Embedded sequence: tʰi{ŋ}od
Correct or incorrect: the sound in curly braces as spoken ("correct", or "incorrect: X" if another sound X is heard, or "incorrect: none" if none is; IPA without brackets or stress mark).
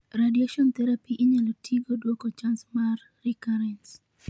incorrect: ɡ